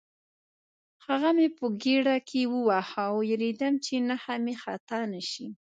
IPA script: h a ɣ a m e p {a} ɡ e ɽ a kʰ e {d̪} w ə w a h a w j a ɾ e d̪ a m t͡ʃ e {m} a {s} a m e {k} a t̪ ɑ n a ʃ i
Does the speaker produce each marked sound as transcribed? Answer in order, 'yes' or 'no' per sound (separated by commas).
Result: no, no, no, no, no